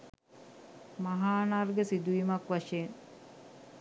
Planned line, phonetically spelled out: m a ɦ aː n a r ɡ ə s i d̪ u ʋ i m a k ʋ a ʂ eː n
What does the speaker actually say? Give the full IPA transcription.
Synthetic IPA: m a ɦ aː n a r ɡ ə s i d̪ u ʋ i m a k ʋ a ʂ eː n